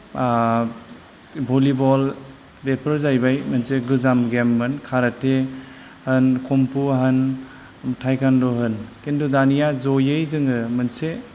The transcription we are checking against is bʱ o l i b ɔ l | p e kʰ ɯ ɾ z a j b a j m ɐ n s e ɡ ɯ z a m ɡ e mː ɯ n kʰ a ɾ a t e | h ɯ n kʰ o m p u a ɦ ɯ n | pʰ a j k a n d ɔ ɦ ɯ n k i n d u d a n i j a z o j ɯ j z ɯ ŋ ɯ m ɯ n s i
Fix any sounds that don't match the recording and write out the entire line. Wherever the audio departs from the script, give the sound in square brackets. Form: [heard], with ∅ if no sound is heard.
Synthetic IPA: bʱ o l i b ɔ l | [b] e [pʰ] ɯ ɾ z a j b a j m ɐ n s e ɡ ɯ z a m ɡ e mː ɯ n kʰ a ɾ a t e | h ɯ n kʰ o m p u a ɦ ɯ n | [tʰ] a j k a n d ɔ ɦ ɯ n k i n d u d a n i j a z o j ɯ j z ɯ ŋ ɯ m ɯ n s [e]

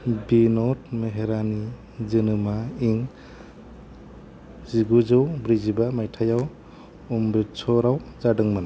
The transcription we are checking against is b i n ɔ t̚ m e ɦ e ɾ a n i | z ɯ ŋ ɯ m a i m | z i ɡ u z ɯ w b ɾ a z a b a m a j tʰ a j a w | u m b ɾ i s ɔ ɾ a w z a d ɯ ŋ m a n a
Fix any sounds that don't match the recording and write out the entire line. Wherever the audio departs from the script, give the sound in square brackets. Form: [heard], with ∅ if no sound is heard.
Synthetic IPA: b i n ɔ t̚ m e ɦ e ɾ a n i | z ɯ [n] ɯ m a i [ŋ] | z i ɡ u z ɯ w b ɾ [i] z [i] b a m a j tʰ a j a w | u m b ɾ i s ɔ ɾ a w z a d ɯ ŋ m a n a

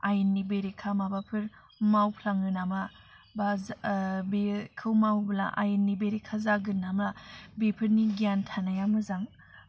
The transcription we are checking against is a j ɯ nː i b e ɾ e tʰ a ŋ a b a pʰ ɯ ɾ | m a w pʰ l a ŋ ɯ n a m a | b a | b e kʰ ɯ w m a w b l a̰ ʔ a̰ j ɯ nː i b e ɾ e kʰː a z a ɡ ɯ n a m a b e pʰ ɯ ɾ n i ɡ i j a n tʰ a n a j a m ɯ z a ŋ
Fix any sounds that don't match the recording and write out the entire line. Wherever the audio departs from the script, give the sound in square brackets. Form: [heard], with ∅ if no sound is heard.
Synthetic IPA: a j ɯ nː i b e ɾ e [kʰ] a [m] a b a pʰ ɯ ɾ | m a w pʰ l a ŋ ɯ n a m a | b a | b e kʰ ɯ w m a w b l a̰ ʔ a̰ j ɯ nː i b e ɾ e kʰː a z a ɡ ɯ n a m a b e pʰ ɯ ɾ n i ɡ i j a n tʰ a n a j a m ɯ z a ŋ

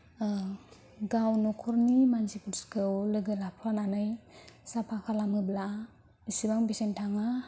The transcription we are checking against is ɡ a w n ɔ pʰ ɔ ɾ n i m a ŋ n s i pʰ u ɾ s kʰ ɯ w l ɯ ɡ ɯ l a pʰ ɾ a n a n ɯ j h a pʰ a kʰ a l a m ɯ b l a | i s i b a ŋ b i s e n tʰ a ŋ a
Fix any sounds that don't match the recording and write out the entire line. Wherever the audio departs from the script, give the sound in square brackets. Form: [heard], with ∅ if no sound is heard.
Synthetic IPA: ɡ a w n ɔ [kʰ] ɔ ɾ n i m a [∅] n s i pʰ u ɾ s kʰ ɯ w l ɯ ɡ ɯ l a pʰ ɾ a n a n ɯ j [s] a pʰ a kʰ a l a m ɯ b l a | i s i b a ŋ b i s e n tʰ a ŋ a

